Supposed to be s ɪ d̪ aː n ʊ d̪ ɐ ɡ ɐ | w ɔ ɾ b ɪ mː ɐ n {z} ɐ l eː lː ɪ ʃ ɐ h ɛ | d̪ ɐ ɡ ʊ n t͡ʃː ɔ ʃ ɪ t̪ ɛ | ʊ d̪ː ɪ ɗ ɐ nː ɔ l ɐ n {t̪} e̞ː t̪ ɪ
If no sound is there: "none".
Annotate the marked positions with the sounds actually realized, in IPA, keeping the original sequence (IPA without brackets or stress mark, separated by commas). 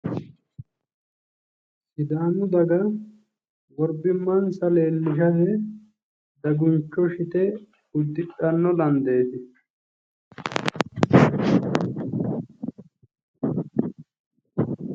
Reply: s, d̪